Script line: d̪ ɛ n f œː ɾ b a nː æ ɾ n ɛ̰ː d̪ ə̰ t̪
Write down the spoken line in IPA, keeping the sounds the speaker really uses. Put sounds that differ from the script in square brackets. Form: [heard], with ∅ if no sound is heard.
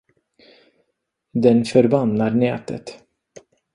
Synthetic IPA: d̪ ɛ n f [œ] ɾ b a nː [a] ɾ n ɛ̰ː [t̪] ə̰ t̪